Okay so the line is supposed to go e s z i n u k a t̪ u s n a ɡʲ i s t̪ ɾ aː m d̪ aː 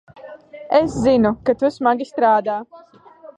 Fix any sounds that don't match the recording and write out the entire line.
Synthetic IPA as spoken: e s z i n u k a t̪ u s m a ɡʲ i s t̪ ɾ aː d̪ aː